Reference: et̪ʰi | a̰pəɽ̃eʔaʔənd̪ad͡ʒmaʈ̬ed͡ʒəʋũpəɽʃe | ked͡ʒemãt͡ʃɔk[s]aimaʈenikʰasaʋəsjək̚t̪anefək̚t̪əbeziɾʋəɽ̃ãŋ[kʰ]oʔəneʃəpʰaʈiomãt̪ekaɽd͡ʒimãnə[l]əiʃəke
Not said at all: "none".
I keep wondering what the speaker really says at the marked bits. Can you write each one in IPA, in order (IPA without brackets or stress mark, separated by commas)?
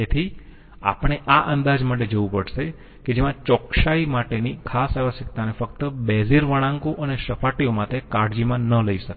ʃ, k, l